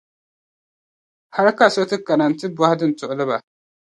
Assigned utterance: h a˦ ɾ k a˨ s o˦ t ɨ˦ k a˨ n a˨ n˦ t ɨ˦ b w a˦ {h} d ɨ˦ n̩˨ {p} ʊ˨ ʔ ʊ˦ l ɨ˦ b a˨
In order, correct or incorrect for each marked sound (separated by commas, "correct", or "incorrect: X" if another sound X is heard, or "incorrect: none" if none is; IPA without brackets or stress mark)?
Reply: correct, incorrect: t